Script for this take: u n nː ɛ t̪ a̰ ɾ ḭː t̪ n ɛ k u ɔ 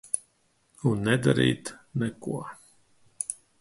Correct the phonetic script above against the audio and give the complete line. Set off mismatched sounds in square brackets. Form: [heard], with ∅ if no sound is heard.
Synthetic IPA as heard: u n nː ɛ [d̪] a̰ ɾ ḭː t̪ n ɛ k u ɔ